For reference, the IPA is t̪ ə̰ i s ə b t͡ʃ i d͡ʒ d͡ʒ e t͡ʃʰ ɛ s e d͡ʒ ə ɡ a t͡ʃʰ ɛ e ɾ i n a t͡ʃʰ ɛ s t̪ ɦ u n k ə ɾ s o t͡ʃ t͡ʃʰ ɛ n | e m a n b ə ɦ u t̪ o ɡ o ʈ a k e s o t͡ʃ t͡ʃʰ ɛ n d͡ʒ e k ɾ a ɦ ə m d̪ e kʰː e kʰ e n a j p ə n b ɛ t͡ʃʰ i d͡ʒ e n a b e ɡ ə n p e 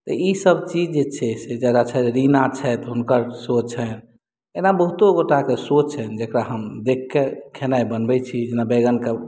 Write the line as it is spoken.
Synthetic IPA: t̪ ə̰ i s ə b t͡ʃ i d͡ʒ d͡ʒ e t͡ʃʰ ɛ s e d͡ʒ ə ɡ a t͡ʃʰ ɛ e ɾ i n a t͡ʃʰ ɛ t̪ ɦ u n k ə ɾ s o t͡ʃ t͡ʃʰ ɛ n | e n a b ə ɦ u t̪ o ɡ o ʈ a k e s o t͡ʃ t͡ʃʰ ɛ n d͡ʒ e k ɾ a ɦ ə m d̪ e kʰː e kʰ e n a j b ə n b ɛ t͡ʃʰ i d͡ʒ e n a b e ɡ ə n k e